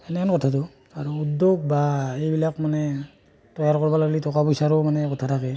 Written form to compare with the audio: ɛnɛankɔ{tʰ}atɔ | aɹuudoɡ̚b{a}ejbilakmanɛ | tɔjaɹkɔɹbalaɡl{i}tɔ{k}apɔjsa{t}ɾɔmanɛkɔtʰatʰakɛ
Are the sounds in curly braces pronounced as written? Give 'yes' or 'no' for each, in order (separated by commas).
yes, yes, yes, yes, no